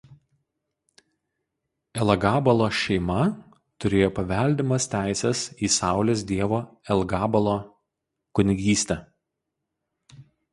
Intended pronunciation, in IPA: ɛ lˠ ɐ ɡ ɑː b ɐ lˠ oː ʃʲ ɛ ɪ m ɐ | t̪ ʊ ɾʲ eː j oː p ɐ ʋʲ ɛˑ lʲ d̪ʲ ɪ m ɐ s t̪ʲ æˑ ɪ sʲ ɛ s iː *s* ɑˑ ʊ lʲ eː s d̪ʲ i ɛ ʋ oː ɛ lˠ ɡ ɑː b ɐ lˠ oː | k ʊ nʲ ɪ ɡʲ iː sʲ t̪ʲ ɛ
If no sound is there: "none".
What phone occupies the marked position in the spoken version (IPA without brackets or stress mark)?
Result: s